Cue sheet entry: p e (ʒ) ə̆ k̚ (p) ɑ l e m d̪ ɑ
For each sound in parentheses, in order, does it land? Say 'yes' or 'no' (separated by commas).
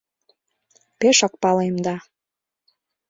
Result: no, yes